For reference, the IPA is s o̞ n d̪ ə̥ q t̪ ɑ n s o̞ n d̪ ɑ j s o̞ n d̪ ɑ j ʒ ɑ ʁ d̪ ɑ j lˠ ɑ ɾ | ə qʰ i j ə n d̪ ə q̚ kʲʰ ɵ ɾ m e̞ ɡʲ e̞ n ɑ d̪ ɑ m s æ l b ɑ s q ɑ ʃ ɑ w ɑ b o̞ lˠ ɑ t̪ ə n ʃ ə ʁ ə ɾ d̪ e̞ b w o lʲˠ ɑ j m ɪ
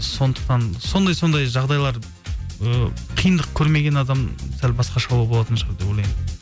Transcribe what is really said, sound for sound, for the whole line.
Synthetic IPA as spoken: s o̞ n d̪ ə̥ q t̪ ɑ n s o̞ n d̪ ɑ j s o̞ n d̪ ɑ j ʒ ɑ ʁ d̪ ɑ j lˠ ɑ ɾ | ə qʰ i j ə n d̪ ə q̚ kʲʰ ɵ ɾ m e̞ ɡʲ e̞ n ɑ d̪ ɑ m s æ l b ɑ s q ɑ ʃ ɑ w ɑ b o̞ lˠ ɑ t̪ ə n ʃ ə ʁ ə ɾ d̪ e̞ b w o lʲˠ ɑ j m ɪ